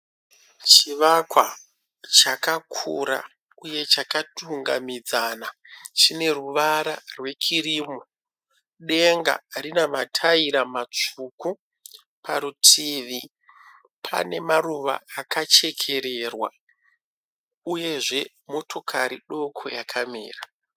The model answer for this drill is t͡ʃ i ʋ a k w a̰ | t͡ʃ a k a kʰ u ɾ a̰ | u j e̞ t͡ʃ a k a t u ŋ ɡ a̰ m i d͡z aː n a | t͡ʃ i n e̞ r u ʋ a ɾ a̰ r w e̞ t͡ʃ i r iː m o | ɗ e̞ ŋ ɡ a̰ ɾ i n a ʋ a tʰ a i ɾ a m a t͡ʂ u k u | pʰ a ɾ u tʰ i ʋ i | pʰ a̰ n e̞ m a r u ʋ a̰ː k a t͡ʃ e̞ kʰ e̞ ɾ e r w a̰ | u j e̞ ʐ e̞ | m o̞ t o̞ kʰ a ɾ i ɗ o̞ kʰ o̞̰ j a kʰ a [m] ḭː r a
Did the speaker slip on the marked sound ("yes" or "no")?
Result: no